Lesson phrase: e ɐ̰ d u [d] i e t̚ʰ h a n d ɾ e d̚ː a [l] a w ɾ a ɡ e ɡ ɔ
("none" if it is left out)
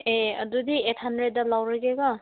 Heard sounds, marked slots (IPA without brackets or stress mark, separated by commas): d, l